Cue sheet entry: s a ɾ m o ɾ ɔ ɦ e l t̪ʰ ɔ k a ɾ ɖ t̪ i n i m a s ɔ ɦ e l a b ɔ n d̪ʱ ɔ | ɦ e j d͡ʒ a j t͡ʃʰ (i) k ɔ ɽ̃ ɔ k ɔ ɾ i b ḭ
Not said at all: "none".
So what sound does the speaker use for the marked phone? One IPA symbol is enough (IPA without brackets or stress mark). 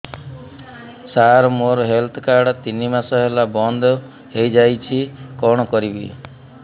i